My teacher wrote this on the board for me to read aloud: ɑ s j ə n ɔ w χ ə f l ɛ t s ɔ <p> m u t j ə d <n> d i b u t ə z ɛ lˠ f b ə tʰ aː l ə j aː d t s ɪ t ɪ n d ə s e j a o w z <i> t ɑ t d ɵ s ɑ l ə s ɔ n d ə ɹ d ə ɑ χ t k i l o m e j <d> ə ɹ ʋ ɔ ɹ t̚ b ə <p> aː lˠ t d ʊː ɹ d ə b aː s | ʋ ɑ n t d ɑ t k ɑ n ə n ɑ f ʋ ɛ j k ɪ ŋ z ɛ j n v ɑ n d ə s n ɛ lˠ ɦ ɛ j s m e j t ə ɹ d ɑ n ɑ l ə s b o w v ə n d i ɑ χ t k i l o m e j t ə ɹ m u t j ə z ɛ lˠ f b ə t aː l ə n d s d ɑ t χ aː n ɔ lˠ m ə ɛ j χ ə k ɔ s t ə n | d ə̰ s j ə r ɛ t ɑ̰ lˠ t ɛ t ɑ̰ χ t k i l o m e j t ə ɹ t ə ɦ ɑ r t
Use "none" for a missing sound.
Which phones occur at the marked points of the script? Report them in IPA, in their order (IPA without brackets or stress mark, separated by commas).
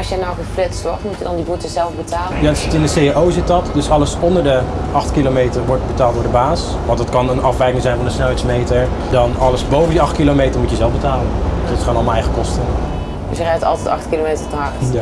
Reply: t, n, ɪ, t, t